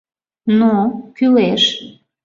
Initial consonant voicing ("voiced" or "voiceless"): voiced